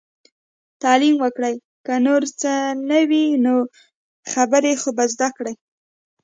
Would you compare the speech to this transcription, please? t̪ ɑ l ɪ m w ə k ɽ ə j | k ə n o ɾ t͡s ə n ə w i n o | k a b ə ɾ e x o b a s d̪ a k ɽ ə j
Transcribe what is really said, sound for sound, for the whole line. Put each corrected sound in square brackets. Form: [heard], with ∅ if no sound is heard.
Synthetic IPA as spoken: t̪ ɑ l [i] m w ə k ɽ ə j | k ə n o ɾ t͡s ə n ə w i n o | [x] a b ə ɾ e x o b a [z] d̪ a k ɽ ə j

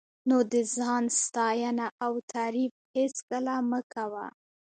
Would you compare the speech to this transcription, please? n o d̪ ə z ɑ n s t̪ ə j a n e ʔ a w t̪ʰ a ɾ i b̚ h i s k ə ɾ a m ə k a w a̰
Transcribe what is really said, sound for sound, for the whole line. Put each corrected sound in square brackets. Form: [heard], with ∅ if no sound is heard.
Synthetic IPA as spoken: n o d̪ ə z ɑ n s t̪ [ɑ] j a n [a] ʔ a w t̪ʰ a ɾ i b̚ h [e] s k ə [l] a m ə k a w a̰

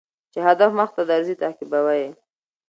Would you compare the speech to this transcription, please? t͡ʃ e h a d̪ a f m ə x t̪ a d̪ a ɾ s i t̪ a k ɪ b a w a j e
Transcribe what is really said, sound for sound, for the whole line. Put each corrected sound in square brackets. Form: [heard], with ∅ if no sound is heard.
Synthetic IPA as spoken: t͡ʃ e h a d̪ a f m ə x t̪ a d̪ a ɾ [z] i t̪ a k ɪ b a w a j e

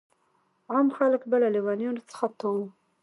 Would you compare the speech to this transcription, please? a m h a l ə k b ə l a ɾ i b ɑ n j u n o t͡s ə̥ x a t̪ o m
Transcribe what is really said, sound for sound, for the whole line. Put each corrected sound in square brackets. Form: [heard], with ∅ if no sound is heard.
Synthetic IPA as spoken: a m [x] a l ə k b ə l a [l] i [w] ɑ n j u n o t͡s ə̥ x a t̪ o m

